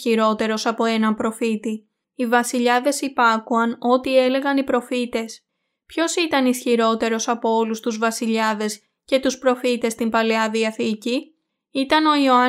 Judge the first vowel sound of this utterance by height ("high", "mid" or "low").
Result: high